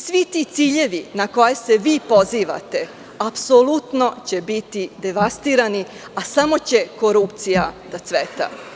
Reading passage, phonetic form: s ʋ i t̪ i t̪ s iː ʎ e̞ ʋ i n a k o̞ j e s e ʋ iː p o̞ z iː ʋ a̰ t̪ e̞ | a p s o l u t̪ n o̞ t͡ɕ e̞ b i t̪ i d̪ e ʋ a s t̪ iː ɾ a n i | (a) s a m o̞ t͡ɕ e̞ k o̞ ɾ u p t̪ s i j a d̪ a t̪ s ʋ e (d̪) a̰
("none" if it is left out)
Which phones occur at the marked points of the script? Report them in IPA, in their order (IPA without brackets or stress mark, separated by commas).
a, t̪